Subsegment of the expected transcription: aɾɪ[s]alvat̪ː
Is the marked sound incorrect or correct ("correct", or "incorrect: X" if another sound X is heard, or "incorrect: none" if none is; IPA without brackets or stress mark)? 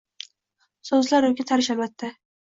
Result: incorrect: ʃ